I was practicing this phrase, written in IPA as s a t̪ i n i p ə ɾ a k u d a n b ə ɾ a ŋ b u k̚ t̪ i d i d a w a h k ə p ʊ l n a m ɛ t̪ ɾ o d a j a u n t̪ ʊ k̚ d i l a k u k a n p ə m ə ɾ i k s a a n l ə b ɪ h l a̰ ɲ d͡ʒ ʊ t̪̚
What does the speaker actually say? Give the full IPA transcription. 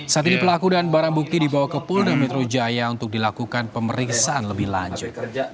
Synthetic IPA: s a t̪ i n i p ə l a k u d a n b a ɾ a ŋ b u k̚ t̪ i d i b a w a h k ə p ʊ l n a m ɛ t̪ ɾ o d͡ʒ a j a u n t̪ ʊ k̚ d i l a k u k a n p ə m ə ɾ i k s a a n l ə b ɪ h l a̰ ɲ d͡ʒ ʊ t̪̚